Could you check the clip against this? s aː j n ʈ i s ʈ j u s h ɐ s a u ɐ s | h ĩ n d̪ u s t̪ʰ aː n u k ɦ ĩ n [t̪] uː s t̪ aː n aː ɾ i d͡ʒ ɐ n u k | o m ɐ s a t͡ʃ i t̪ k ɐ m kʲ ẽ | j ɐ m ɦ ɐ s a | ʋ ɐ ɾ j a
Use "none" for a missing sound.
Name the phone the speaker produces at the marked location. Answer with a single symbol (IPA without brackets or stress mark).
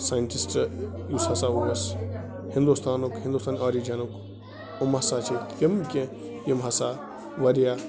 d̪